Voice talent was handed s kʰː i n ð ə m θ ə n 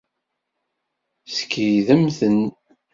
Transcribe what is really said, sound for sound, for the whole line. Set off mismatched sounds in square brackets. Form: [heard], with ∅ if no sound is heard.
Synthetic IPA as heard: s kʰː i [∅] ð ə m θ ə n